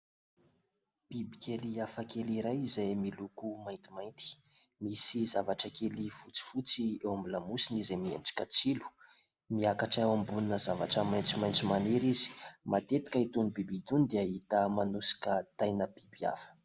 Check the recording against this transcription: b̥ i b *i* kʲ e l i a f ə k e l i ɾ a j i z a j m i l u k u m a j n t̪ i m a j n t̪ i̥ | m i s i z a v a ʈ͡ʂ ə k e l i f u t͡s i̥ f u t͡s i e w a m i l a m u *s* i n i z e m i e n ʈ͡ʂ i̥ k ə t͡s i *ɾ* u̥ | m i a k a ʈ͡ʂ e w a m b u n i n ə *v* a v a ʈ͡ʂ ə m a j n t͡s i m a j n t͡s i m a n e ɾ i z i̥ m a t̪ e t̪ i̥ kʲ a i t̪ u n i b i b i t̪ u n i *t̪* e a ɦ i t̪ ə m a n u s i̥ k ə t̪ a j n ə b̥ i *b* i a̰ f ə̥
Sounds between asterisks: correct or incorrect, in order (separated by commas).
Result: correct, correct, incorrect, incorrect, incorrect, correct